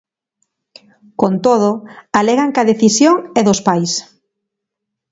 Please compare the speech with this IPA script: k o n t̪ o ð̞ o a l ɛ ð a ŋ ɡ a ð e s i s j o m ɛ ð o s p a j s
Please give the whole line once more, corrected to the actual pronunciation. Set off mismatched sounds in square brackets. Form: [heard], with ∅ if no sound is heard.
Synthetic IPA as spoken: k o n t̪ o ð̞ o a l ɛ [ɣ] a ŋ [k] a ð e [θ] i s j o [ŋ] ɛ ð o s p a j s